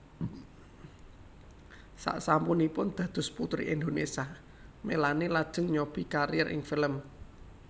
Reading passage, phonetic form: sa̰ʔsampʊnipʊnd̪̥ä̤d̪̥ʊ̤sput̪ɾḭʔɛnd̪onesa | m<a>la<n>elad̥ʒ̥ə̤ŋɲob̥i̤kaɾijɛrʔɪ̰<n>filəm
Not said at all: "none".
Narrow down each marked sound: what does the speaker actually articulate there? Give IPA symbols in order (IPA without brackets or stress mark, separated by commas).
e, n, ŋ